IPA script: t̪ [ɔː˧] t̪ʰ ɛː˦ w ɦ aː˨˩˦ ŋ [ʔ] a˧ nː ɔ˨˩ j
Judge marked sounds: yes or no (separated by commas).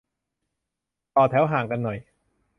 no, no